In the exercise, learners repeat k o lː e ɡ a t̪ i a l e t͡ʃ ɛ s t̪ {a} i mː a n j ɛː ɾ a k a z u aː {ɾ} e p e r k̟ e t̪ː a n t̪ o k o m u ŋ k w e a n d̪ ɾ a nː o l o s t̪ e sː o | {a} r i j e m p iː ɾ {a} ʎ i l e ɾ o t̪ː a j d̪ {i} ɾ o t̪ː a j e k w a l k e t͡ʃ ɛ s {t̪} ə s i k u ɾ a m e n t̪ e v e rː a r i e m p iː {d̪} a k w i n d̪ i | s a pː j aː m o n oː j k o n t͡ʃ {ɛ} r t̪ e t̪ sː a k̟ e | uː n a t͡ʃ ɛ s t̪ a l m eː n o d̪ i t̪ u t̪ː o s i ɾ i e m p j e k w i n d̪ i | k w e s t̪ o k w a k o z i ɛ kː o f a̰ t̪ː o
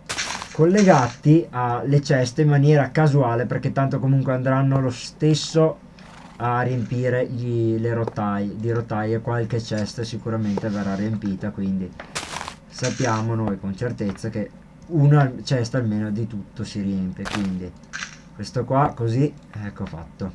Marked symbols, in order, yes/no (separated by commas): no, no, yes, no, yes, yes, no, no